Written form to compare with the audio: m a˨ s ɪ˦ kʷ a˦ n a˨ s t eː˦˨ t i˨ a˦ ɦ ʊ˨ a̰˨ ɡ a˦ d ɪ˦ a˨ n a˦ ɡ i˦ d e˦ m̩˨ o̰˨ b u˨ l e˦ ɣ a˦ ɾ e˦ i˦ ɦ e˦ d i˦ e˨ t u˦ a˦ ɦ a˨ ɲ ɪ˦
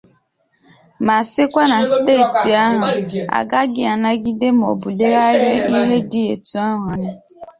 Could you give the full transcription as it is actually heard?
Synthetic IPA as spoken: m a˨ s ɪ˦ kʷ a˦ n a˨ s t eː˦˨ t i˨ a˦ ɦ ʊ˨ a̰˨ ɡ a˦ ɡ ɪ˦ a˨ n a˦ ɡ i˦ d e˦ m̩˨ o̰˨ b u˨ l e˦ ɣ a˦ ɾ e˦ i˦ ɦ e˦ d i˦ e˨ t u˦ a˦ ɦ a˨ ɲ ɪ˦